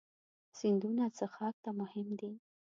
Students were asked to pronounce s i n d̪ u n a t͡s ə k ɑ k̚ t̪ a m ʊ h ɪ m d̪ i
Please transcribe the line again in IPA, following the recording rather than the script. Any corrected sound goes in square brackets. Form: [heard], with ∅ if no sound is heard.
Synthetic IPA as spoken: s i n d̪ u n a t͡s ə [x] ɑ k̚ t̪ a m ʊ h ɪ m d̪ i